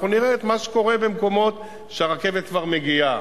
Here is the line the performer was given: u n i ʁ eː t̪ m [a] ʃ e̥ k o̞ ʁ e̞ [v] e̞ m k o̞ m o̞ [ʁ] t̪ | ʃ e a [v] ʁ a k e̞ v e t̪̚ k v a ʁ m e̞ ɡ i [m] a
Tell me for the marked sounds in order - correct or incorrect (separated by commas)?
correct, incorrect, incorrect, incorrect, incorrect